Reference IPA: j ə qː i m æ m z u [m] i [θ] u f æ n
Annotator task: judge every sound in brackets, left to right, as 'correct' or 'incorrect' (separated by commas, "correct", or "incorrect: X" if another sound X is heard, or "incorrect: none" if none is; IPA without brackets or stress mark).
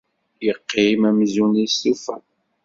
incorrect: n, incorrect: s